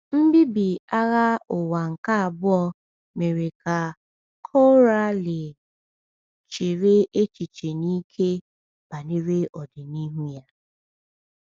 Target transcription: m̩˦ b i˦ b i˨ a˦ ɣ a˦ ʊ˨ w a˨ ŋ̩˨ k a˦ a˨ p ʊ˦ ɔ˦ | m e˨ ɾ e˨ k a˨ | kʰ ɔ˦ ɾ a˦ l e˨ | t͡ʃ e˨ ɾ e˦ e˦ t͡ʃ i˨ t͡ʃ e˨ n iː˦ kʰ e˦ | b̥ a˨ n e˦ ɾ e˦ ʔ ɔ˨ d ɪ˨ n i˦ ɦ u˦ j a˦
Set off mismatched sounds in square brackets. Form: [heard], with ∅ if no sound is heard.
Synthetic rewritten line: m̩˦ b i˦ b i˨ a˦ ɣ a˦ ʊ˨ w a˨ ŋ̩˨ k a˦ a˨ [b] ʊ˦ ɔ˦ | m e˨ ɾ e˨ k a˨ | kʰ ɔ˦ ɾ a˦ l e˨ | t͡ʃ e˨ ɾ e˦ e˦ t͡ʃ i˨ t͡ʃ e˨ n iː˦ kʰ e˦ | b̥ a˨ n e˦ ɾ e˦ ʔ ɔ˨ d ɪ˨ n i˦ ɦ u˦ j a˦